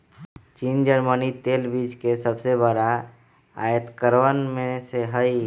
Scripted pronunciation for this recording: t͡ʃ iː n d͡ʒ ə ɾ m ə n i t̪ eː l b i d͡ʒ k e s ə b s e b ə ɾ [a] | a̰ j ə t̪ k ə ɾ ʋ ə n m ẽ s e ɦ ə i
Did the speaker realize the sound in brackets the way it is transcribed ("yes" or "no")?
yes